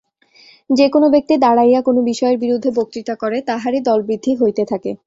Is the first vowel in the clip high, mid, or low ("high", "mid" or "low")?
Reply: mid